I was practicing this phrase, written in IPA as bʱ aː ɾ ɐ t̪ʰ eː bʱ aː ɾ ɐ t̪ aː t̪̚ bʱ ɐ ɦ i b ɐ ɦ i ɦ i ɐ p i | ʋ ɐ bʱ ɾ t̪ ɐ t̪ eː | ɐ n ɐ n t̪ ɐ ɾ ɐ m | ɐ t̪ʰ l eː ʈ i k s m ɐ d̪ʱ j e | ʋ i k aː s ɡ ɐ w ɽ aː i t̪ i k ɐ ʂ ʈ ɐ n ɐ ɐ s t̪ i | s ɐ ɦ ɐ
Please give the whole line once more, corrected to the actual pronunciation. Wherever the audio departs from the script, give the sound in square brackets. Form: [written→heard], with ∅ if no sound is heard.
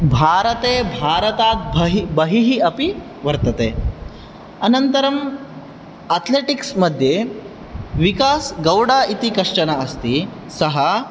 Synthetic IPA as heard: bʱ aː ɾ ɐ [t̪ʰ→t̪] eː bʱ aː ɾ ɐ t̪ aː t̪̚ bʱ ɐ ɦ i b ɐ ɦ i ɦ i ɐ p i | ʋ ɐ [bʱ→∅] ɾ t̪ ɐ t̪ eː | ɐ n ɐ n t̪ ɐ ɾ ɐ m | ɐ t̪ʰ l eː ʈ i k s m ɐ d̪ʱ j e | ʋ i k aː s ɡ ɐ w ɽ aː i t̪ i k ɐ ʂ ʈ ɐ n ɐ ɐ s t̪ i | s ɐ ɦ ɐ